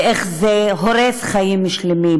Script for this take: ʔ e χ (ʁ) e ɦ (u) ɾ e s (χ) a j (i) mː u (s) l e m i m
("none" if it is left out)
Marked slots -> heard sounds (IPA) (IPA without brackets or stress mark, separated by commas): z, o, χ, i, ʃ